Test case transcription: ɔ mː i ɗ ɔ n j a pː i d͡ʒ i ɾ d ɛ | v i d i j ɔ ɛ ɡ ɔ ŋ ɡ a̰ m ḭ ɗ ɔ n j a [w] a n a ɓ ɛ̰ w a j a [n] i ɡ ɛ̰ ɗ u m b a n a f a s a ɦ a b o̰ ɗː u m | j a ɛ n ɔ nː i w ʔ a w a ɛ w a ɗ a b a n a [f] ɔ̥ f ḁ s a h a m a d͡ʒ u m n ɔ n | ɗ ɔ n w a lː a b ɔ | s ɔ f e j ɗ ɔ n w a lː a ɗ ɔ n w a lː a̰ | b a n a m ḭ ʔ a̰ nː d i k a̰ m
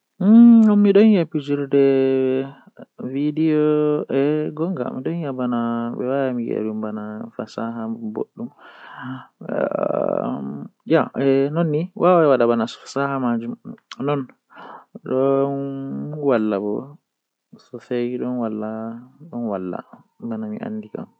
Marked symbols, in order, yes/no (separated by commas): no, no, no